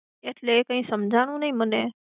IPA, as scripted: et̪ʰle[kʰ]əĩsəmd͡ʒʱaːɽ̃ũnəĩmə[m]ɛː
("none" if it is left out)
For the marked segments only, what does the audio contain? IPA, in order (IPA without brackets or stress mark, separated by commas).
k, n